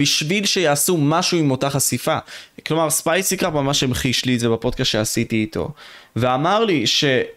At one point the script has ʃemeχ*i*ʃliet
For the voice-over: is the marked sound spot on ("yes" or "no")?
yes